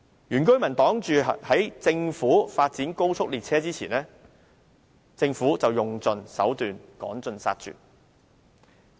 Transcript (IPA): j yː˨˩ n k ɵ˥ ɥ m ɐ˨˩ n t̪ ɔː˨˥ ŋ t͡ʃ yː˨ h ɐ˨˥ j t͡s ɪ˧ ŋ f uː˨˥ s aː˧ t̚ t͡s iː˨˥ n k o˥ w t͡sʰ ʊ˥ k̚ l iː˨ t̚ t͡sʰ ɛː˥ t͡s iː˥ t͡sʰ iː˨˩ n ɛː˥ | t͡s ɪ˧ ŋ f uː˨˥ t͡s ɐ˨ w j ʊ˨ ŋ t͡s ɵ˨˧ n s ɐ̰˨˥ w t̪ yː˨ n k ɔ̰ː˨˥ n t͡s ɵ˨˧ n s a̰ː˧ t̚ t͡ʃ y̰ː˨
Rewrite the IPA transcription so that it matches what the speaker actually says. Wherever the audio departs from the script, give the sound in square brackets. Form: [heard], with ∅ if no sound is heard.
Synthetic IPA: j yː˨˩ n k ɵ˥ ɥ m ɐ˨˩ n t̪ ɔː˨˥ ŋ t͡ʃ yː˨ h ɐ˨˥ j t͡s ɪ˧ ŋ f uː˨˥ [f] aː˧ t̚ t͡s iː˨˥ n k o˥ w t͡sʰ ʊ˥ k̚ l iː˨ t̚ t͡sʰ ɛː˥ t͡s iː˥ t͡sʰ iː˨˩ n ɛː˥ | t͡s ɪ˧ ŋ f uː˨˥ t͡s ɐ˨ w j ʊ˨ ŋ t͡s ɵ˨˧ n s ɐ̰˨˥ w t̪ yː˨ n k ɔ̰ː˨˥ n t͡s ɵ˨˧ n s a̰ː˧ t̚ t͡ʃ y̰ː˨